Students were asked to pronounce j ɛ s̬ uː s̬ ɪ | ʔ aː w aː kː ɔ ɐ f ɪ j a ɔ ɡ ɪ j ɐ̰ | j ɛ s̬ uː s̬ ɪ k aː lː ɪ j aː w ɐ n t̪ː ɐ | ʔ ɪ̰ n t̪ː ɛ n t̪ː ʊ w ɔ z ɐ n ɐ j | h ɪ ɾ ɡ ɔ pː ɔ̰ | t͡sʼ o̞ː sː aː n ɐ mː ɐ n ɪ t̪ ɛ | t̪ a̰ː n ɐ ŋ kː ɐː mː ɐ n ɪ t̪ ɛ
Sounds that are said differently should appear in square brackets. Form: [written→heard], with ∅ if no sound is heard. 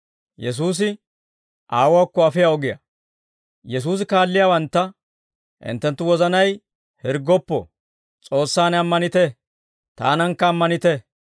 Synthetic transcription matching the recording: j ɛ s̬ uː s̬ ɪ | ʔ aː w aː kː ɔ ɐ f ɪ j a ɔ ɡ ɪ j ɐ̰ | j ɛ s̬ uː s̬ ɪ k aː lː ɪ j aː w ɐ n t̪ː ɐ | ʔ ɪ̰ n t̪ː ɛ n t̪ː ʊ w ɔ z ɐ n ɐ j | h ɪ ɾ ɡ ɔ pː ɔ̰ | t͡sʼ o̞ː sː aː n ɐ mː ɐ n ɪ t̪ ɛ | t̪ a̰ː n ɐ ŋ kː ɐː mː ɐ n ɪ t̪ ɛ